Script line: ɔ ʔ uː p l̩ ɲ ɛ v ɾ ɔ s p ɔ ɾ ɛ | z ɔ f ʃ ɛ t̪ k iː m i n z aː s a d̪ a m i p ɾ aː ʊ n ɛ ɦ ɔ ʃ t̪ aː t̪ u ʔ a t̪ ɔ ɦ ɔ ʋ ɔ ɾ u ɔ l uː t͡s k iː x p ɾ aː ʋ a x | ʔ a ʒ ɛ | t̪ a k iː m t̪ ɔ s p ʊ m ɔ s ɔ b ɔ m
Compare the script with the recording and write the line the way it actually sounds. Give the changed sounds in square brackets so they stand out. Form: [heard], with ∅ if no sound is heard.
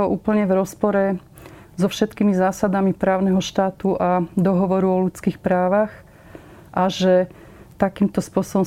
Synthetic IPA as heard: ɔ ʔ uː p l̩ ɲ ɛ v ɾ ɔ s p ɔ ɾ ɛ | z ɔ f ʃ ɛ t̪ k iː m i [∅] z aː s a d̪ a m i p ɾ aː ʊ n ɛ ɦ ɔ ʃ t̪ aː t̪ u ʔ a [d̪] ɔ ɦ ɔ ʋ ɔ ɾ u ɔ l [u] t͡s k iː x p ɾ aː ʋ a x | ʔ a ʒ ɛ | t̪ a k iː m t̪ ɔ s p ʊ [∅] ɔ s ɔ b ɔ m